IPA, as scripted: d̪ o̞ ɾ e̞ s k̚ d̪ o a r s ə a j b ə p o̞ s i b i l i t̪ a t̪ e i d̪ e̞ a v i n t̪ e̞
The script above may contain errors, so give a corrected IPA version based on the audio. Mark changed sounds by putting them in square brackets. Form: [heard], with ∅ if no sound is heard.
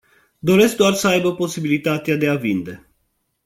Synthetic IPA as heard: d̪ o̞ ɾ e̞ s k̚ d̪ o a r s ə a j b ə p o̞ s i b i l i t̪ a t̪ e [a] d̪ e̞ a v i n [d̪] e̞

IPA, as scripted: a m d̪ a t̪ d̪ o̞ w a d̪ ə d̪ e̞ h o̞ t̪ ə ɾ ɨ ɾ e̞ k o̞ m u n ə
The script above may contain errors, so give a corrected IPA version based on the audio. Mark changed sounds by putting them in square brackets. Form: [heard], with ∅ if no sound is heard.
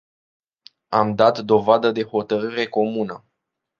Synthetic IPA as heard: a m d̪ a t̪ d̪ o̞ [v] a d̪ ə d̪ e̞ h o̞ t̪ ə ɾ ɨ ɾ e̞ k o̞ m u n ə

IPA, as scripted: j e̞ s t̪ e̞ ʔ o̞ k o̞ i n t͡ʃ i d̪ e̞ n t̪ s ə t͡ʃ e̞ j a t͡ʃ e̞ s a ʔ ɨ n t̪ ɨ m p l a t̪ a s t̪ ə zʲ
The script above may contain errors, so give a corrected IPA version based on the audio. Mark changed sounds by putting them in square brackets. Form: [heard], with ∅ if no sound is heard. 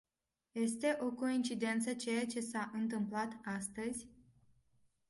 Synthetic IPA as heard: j e̞ s t̪ e̞ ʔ o̞ k o̞ i n t͡ʃ i d̪ e̞ n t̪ s ə t͡ʃ e̞ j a t͡ʃ e̞ s a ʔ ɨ n t̪ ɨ m p l a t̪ a s t̪ ə zʲ

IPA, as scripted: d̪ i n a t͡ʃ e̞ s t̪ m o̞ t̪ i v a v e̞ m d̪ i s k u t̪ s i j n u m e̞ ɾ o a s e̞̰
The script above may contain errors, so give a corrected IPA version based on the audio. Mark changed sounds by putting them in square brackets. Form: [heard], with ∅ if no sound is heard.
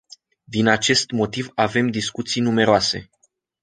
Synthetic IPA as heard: d̪ i n a t͡ʃ e̞ s t̪ m o̞ t̪ i v a v e̞ m d̪ i s k u t̪ s i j n u m e̞ ɾ o a s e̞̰

